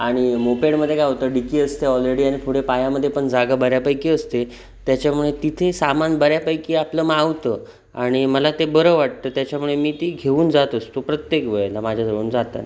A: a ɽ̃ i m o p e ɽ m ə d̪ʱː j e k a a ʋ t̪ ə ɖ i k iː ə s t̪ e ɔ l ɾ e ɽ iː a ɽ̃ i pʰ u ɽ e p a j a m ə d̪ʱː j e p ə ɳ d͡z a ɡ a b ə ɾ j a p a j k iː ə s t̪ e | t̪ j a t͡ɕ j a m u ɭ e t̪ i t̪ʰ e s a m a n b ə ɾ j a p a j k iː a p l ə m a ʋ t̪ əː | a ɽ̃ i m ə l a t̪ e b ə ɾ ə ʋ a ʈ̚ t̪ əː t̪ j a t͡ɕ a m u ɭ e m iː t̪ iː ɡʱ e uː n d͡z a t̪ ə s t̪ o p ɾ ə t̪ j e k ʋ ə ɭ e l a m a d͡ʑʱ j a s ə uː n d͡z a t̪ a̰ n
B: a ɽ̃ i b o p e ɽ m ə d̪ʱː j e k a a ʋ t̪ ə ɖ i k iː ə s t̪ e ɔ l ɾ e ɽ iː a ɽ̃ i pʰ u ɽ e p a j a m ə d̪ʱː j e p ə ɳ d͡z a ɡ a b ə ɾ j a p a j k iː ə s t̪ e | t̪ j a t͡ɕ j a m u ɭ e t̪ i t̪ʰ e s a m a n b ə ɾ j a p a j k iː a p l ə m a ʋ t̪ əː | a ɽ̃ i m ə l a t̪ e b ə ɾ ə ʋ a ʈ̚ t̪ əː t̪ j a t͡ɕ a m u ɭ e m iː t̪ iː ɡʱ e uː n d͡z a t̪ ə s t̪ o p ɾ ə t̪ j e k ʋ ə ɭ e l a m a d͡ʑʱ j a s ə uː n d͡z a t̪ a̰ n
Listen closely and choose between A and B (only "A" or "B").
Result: A